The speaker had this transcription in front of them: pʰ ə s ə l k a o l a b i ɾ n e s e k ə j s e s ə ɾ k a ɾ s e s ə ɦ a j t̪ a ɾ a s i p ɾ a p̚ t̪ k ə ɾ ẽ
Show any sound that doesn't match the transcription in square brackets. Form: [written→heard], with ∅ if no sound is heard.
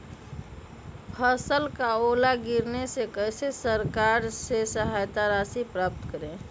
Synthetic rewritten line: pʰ ə s ə l k a o l a [b→ɡ] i ɾ n e s e k ə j s e s ə ɾ k a ɾ s e s ə ɦ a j t̪ a ɾ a s i p ɾ a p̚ t̪ k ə ɾ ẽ